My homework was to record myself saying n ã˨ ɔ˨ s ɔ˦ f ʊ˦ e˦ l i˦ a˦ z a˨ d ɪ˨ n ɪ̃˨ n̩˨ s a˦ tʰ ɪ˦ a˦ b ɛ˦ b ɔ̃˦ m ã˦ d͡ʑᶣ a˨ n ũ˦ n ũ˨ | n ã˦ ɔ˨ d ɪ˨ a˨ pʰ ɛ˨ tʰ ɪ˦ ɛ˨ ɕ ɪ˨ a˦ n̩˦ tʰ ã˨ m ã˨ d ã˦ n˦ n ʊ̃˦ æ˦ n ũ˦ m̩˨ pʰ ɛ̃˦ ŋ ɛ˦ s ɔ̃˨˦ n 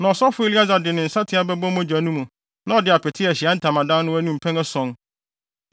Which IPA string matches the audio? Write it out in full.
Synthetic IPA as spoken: n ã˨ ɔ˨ s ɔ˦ f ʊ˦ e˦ l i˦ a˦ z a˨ d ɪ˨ n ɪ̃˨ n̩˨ s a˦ tʰ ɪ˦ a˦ b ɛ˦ b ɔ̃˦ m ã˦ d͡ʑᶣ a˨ n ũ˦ m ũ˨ | n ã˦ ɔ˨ d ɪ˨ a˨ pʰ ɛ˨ tʰ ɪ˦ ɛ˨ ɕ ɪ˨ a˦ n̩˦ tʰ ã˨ m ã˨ d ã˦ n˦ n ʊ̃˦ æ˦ n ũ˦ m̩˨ pʰ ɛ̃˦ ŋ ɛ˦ s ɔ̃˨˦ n